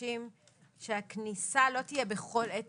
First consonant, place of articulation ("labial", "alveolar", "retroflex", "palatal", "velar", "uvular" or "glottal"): labial